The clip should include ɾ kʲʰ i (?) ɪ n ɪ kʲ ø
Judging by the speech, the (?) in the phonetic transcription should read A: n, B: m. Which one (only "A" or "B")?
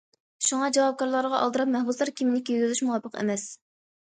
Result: B